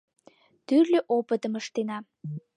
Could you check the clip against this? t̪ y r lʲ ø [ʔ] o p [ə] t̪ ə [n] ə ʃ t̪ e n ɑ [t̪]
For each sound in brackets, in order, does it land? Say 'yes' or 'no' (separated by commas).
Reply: yes, yes, no, no